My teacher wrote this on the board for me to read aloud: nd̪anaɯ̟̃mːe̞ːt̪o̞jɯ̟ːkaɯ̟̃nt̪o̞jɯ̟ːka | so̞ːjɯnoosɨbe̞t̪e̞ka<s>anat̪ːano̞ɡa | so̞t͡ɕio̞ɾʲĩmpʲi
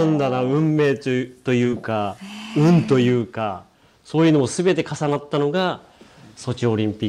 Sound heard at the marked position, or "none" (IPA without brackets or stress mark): s